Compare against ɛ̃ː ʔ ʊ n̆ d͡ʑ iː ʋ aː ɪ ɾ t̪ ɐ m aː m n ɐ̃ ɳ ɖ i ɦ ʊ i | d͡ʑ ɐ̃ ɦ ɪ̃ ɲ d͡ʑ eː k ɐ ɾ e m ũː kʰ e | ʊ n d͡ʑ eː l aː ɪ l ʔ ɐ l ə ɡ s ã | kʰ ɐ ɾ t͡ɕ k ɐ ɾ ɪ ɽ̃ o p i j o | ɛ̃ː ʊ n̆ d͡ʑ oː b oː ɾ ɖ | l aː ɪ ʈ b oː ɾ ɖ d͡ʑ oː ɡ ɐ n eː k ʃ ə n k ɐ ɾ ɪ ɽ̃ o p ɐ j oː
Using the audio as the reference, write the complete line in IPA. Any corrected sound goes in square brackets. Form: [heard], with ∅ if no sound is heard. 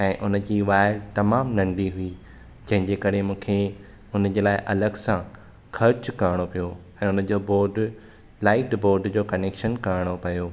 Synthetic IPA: ɛ̃ː ʔ ʊ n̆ d͡ʑ iː ʋ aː ɪ ɾ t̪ ɐ m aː m n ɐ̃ ɳ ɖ i ɦ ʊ i | d͡ʑ ɐ̃ ɦ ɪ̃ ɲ d͡ʑ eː k ɐ ɾ e m ũː kʰ e | ʊ n d͡ʑ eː l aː ɪ [∅] ʔ ɐ l ə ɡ s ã | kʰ ɐ ɾ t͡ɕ k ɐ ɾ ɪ ɽ̃ o p i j o | ɛ̃ː ʊ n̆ d͡ʑ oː b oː ɾ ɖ | l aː ɪ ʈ b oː ɾ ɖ d͡ʑ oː [k] ɐ n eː k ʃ ə n k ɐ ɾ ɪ ɽ̃ o p ɐ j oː

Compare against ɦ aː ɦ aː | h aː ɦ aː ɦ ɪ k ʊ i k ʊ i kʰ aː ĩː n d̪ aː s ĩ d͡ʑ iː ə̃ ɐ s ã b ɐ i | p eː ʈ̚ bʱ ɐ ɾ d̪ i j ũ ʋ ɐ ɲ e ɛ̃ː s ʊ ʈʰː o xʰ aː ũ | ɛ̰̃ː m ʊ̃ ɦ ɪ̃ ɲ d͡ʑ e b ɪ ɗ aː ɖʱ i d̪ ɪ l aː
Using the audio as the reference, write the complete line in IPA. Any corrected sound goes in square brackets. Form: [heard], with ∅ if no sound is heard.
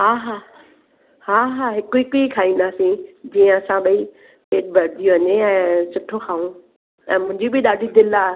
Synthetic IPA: ɦ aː ɦ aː | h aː ɦ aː ɦ ɪ k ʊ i k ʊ i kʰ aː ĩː n d̪ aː s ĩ d͡ʑ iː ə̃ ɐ s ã [ɓ] ɐ i | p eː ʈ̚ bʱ ɐ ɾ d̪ i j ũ ʋ ɐ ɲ e ɛ̃ː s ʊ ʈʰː o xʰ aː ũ | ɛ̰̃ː m ʊ̃ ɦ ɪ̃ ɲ d͡ʑ [i] b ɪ ɗ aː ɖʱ i d̪ ɪ l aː

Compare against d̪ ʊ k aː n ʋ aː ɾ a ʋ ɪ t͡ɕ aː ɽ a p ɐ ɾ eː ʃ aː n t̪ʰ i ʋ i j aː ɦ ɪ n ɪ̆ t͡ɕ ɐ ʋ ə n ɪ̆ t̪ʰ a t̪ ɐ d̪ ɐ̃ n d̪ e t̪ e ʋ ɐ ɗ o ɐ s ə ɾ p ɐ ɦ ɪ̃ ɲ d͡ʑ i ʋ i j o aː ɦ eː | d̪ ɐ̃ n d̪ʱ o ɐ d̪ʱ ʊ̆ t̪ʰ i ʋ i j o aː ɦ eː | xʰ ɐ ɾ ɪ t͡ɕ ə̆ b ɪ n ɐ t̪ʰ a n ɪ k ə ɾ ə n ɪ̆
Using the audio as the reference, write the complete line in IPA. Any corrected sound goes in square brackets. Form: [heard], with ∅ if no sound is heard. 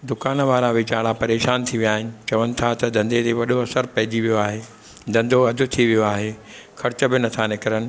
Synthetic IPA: d̪ ʊ k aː n ʋ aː ɾ a ʋ ɪ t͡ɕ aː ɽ a p ɐ ɾ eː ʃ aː n t̪ʰ i ʋ i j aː ɦ ɪ n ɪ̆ t͡ɕ ɐ ʋ ə n ɪ̆ t̪ʰ a t̪ ɐ d̪ ɐ̃ n d̪ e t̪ e ʋ ɐ ɗ o ɐ s ə ɾ p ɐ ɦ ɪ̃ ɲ d͡ʑ i ʋ i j o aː ɦ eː | d̪ ɐ̃ n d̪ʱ o ɐ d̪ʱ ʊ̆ t̪ʰ i ʋ i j o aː ɦ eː | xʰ ɐ ɾ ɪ t͡ɕ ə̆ b ɪ n ɐ t̪ʰ a n ɪ k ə ɾ ə n ɪ̆

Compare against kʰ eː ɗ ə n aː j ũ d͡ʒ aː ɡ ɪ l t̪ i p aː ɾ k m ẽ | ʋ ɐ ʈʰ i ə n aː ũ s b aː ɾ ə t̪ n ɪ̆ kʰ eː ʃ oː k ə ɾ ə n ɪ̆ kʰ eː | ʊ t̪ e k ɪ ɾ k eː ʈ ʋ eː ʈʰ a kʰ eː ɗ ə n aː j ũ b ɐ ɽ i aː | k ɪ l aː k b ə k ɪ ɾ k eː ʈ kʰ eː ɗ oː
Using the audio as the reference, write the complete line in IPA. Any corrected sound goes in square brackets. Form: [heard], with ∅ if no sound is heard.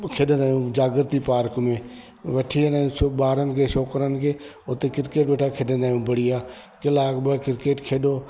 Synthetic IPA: kʰ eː ɗ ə n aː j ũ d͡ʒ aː ɡ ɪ [ɾ] t̪ i p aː ɾ k m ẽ | ʋ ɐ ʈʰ i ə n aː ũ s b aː ɾ ə [∅] n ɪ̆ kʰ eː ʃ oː k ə ɾ ə n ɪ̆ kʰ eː | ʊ t̪ e k ɪ ɾ k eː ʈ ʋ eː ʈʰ a kʰ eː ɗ ə n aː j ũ b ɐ ɽ i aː | k ɪ l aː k b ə k ɪ ɾ k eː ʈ kʰ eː ɗ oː

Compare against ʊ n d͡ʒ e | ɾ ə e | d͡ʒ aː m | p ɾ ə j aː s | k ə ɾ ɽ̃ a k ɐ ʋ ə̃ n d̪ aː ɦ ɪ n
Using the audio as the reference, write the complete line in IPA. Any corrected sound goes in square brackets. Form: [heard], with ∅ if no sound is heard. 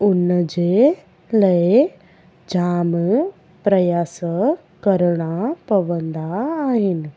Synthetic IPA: ʊ n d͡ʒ e | [l] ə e | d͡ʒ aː m | p ɾ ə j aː s | k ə ɾ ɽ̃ a [p] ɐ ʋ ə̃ n d̪ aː ɦ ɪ n

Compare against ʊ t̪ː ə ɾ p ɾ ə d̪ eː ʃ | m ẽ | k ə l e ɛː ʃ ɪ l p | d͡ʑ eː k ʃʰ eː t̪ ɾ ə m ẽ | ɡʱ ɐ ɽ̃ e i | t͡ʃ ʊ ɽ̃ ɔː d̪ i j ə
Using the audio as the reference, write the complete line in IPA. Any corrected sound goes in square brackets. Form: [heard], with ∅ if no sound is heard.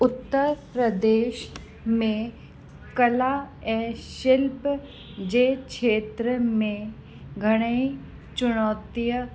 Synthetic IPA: ʊ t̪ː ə ɾ p ɾ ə d̪ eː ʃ | m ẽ | k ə l [a] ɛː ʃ ɪ l p | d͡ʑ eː k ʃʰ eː t̪ ɾ ə m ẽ | ɡʱ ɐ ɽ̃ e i | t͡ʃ ʊ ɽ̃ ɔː [t̪] i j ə

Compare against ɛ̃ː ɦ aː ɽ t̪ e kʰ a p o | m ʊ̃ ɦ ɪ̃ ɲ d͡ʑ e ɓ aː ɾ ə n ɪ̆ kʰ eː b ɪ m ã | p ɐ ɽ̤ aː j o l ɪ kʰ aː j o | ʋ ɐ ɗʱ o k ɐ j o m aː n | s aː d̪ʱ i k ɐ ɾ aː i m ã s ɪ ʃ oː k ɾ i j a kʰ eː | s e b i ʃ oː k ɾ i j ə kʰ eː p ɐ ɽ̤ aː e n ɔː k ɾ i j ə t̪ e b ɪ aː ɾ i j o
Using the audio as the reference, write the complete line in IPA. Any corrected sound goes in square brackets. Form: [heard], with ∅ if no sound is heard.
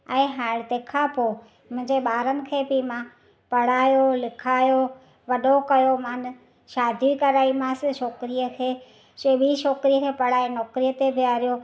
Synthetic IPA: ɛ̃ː ɦ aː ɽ t̪ e kʰ a p o | m ʊ̃ ɦ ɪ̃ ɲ d͡ʑ e ɓ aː ɾ ə n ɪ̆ kʰ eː b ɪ m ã | p ɐ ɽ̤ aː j o l ɪ kʰ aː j o | ʋ ɐ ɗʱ o k ɐ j o m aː n | [ʃ] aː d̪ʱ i k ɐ ɾ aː i m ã s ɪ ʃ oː k ɾ i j [ə] kʰ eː | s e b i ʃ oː k ɾ i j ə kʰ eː p ɐ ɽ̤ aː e n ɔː k ɾ i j ə t̪ e b ɪ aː ɾ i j o

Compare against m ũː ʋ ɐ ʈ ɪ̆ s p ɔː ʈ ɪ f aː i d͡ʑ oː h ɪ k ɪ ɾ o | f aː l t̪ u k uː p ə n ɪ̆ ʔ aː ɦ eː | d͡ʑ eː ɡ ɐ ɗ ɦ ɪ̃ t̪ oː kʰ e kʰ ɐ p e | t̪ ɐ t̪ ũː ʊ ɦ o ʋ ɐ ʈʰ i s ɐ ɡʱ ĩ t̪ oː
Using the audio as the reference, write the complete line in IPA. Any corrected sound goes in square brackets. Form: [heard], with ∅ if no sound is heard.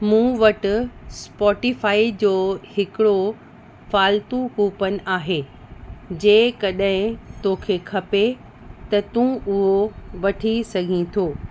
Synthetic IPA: m ũː ʋ ɐ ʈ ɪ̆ s p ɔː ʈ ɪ f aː i d͡ʑ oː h ɪ k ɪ [ɽ] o | f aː l t̪ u k uː p ə n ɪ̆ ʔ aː ɦ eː | d͡ʑ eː [k] ɐ ɗ ɦ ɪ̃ t̪ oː kʰ e kʰ ɐ p e | t̪ ɐ t̪ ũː ʊ ɦ o ʋ ɐ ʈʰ i s ɐ ɡʱ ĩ [t̪ʰ] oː

